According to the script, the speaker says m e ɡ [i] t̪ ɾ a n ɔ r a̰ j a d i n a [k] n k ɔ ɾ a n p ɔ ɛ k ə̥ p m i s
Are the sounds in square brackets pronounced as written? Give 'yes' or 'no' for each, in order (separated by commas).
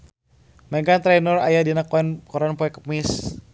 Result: no, yes